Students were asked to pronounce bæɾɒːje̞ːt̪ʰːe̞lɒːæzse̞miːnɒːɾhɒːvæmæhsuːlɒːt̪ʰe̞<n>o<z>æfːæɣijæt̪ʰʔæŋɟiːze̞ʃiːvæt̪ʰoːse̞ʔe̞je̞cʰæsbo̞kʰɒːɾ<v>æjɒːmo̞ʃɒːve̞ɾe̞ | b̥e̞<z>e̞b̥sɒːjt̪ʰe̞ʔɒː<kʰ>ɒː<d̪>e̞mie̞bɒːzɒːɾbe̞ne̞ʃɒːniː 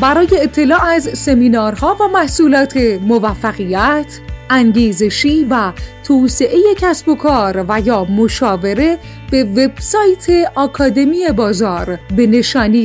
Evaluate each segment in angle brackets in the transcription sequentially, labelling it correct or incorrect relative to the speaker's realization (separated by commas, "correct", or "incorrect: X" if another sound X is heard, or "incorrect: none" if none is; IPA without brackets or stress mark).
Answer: incorrect: m, incorrect: v, correct, incorrect: v, correct, correct